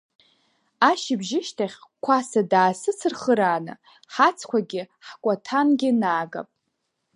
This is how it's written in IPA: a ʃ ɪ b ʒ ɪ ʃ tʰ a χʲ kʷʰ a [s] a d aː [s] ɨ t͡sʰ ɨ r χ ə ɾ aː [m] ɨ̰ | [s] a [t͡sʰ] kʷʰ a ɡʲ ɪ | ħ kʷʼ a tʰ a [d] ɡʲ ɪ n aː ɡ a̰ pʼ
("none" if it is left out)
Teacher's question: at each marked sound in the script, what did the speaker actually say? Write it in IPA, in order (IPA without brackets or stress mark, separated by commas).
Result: s, s, n, ħ, t͡sʰ, n